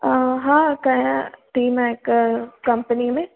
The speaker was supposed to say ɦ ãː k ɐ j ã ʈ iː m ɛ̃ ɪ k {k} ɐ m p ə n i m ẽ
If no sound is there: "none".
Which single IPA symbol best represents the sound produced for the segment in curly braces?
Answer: k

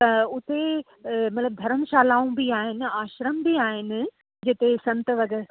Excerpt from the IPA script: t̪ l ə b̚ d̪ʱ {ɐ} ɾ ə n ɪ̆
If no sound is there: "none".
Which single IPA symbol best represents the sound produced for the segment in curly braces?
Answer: ɐ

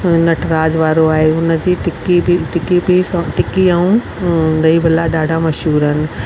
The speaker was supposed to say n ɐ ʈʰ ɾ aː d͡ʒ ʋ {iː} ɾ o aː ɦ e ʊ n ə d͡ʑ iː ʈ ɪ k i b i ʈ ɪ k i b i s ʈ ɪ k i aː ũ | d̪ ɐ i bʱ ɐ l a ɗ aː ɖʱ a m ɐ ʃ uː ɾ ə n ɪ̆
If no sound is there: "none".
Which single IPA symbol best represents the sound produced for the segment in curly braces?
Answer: aː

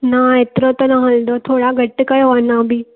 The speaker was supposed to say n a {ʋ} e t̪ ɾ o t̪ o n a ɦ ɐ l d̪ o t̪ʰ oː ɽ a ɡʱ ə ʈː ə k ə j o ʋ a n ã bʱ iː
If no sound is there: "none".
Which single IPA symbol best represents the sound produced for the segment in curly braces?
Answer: none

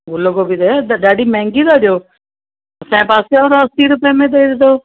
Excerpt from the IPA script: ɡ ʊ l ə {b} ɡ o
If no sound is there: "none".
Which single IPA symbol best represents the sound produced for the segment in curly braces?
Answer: none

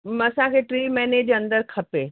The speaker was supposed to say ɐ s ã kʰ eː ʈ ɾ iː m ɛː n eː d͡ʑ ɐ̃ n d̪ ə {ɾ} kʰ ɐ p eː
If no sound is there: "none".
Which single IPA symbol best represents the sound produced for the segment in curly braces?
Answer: ɾ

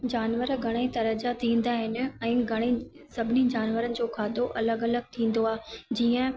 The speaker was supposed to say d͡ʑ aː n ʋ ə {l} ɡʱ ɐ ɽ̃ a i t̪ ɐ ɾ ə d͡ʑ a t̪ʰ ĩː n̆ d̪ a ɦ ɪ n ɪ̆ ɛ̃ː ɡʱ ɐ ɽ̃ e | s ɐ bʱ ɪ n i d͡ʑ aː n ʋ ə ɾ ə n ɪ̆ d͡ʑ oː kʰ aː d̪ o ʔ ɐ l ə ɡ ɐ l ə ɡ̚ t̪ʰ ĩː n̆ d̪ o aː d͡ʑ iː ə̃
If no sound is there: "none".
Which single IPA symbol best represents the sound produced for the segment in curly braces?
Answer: ɾ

